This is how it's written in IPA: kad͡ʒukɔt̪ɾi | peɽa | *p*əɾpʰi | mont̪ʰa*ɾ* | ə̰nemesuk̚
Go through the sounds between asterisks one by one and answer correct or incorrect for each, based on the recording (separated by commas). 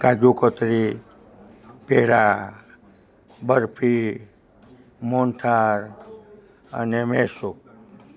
incorrect, correct